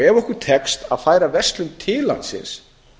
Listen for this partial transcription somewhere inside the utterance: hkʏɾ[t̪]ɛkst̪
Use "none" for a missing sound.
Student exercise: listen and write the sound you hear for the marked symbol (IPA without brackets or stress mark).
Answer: t̪ʰ